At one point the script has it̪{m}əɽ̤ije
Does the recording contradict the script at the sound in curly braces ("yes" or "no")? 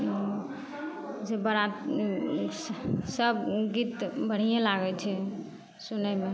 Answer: yes